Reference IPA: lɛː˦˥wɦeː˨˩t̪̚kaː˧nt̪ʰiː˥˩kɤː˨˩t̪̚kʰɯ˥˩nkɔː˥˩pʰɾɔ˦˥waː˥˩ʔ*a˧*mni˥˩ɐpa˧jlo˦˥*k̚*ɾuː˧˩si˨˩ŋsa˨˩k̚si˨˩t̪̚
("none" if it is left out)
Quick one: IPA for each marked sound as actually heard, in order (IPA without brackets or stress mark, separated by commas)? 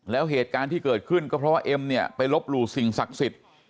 e˧, p̚